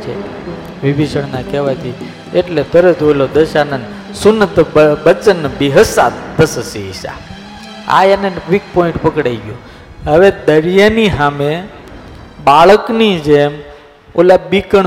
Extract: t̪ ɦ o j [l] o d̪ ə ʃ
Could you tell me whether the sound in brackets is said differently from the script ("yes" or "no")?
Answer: no